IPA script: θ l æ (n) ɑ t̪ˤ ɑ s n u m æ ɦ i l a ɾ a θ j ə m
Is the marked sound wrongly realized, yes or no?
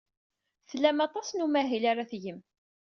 yes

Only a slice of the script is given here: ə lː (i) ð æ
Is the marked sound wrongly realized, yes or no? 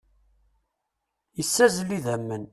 no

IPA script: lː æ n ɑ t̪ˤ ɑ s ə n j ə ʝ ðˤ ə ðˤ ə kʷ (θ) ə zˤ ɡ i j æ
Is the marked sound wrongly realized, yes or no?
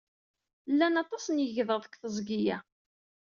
no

